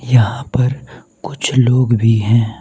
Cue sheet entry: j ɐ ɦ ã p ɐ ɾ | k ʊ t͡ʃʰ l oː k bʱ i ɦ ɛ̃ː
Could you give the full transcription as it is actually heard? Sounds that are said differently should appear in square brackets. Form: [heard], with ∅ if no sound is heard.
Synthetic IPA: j ɐ ɦ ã p ɐ ɾ | k ʊ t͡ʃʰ l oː [ɡ] bʱ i ɦ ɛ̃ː

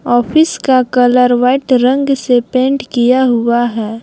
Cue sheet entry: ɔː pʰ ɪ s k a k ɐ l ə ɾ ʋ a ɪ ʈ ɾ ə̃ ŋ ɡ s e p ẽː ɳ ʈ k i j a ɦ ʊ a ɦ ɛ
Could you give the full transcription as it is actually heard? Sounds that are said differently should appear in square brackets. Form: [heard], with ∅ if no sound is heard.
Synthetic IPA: ɔː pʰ ɪ s k a k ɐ l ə ɾ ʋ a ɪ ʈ ɾ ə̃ ŋ ɡ s e p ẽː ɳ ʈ k i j a ɦ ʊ a ɦ [ɛː]

